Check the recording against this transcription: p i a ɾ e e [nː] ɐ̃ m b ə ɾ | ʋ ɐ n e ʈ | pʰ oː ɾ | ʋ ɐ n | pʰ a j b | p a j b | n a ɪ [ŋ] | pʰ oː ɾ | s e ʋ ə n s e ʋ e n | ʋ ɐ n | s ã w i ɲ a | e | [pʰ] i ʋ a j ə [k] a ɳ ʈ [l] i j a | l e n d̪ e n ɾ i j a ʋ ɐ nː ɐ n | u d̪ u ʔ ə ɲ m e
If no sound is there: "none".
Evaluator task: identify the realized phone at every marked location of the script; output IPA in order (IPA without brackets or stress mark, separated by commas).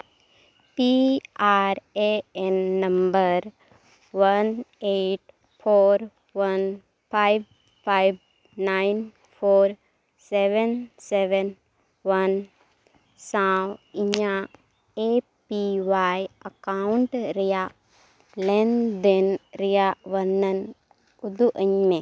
nː, n, p, k, ɾ